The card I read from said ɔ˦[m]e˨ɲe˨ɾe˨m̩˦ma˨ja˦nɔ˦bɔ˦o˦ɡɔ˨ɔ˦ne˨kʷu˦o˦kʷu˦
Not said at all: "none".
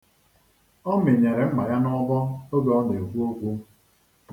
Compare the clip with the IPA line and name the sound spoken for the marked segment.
m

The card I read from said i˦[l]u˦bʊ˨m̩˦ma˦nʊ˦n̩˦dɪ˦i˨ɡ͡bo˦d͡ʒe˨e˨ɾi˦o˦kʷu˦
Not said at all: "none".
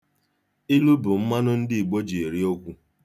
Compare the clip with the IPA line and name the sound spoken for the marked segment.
l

